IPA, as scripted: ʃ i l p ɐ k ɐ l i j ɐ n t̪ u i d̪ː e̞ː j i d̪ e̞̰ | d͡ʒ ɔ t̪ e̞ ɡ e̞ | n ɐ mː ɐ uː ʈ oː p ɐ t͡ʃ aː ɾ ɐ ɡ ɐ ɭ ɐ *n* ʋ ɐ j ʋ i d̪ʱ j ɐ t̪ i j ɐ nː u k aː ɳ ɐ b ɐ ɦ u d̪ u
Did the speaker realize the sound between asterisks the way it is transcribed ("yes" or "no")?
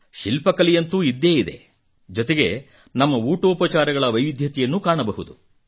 no